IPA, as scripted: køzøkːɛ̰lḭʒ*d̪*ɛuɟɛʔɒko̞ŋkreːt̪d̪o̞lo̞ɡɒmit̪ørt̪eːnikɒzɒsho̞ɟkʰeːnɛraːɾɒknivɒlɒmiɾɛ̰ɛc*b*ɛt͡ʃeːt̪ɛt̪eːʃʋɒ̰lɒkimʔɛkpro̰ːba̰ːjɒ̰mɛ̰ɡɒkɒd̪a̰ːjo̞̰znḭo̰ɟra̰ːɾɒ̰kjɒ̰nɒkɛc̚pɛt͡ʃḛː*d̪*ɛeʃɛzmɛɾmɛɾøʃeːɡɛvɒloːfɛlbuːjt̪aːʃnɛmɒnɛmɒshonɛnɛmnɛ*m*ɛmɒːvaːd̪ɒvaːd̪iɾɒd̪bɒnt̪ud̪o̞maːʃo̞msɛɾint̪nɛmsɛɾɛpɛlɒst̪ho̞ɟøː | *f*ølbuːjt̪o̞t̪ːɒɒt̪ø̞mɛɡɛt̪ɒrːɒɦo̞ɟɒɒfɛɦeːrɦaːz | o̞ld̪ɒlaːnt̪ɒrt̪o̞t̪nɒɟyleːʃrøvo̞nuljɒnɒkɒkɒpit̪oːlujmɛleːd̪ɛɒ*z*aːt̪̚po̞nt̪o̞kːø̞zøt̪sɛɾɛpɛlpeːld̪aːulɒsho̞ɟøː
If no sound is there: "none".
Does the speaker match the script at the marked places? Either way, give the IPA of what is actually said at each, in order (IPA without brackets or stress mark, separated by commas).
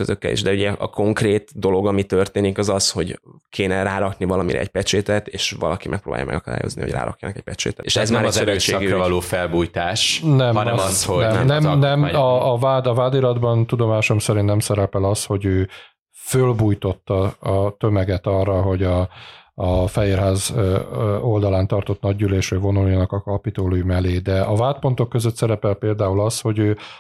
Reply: d̪, p, t̪, n, f, v